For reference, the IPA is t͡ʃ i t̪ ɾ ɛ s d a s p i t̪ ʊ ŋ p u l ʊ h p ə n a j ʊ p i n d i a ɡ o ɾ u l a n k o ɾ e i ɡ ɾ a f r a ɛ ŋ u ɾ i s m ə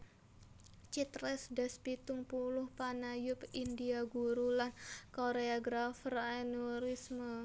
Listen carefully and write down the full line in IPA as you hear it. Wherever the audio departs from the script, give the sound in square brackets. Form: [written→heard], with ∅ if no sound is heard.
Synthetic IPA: t͡ʃ i t̪ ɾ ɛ s d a s p i t̪ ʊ ŋ p u l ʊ h p [ə→a] n a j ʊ p i n d i a ɡ [o→u] ɾ u l a n k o ɾ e [i→a] ɡ ɾ a f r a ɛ [ŋ→n] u ɾ i s m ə

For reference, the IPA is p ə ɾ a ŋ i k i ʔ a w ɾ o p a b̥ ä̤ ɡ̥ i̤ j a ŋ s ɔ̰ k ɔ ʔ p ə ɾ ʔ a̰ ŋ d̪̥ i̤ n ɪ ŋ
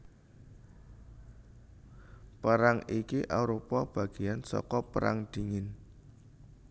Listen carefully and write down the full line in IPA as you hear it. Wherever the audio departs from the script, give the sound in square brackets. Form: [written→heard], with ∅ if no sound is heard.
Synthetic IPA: p ə ɾ a ŋ i k i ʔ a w ɾ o p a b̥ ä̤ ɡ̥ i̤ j a [ŋ→n] s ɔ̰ k ɔ [ʔ→∅] p ə ɾ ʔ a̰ ŋ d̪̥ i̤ [n→ŋ] ɪ [ŋ→n]

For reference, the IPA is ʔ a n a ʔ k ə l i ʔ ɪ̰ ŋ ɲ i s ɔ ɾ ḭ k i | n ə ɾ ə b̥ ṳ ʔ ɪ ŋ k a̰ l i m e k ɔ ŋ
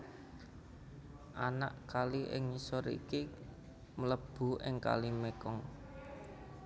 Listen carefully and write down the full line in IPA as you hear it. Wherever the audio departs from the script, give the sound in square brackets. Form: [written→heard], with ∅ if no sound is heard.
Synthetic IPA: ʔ a n a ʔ k [ə→a] l i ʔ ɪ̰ ŋ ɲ i s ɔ ɾ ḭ k i | [n→m] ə [ɾ→l] ə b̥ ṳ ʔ ɪ ŋ k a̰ l i m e k ɔ ŋ

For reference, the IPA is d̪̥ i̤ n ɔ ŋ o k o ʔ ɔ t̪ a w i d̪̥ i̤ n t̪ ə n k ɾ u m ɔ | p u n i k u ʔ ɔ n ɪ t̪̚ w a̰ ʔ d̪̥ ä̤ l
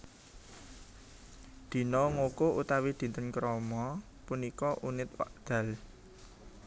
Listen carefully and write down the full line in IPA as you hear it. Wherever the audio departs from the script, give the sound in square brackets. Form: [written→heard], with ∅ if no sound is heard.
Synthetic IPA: d̪̥ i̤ n ɔ ŋ o k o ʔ [ɔ→u] t̪ a w i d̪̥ i̤ n t̪ ə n k ɾ [u→ɔ] m ɔ | p u n i k [u→ɔ] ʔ [ɔ→u] n ɪ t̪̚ w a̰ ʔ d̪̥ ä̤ l

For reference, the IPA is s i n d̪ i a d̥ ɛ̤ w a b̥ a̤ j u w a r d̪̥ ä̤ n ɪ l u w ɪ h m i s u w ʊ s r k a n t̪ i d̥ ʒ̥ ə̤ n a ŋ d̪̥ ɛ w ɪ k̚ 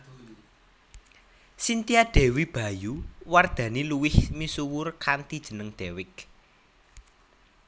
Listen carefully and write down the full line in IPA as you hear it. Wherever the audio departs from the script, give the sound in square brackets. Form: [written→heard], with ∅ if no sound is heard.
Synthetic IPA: s i n [d̪→t̪] i a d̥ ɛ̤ w [a→i] b̥ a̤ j u w a r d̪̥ ä̤ n [ɪ→i] l u w ɪ h m i s u w ʊ [s→∅] r k a n t̪ i d̥ ʒ̥ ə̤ n [a→ə] ŋ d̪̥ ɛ w ɪ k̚

